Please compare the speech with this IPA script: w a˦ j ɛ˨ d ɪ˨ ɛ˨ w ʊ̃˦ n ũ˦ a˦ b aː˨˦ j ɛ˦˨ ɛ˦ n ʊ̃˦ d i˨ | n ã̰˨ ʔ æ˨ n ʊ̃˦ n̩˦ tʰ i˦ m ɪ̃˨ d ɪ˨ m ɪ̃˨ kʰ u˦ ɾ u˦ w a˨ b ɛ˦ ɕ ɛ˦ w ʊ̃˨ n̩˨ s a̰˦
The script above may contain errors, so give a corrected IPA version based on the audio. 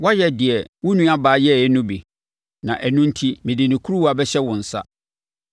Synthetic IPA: w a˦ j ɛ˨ d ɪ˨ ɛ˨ w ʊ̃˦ n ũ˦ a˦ b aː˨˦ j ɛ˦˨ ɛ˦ n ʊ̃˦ b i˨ | n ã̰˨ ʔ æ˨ n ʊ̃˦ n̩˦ tʰ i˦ m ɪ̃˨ d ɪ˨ n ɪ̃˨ kʰ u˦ ɾ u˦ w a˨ b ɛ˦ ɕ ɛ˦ w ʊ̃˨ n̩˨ s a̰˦